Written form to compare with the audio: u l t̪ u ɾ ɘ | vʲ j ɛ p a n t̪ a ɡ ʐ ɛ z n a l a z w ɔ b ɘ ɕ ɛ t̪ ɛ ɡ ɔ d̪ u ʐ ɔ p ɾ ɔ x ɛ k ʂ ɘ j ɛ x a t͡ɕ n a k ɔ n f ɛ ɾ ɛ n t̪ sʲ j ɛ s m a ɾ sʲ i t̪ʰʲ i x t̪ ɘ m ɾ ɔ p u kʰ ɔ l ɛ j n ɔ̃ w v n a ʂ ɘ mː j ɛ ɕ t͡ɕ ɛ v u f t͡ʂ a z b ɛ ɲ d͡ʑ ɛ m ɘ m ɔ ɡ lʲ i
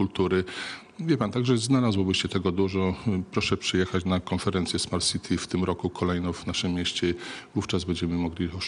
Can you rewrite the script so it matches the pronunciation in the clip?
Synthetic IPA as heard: u l t̪ u ɾ ɘ | vʲ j ɛ p a n t̪ a ɡ ʐ ɛ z n a l a z w ɔ b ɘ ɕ ɛ t̪ ɛ ɡ ɔ d̪ u ʐ ɔ p ɾ ɔ ʂ ɛ p ʂ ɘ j ɛ x a t͡ɕ n a k ɔ n f ɛ ɾ ɛ n t̪ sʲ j ɛ s m a ɾ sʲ i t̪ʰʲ i f t̪ ɘ m ɾ ɔ k u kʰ ɔ l ɛ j n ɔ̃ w v n a ʂ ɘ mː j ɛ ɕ t͡ɕ ɛ v u f t͡ʂ a z b ɛ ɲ d͡ʑ ɛ m ɘ m ɔ ɡ lʲ i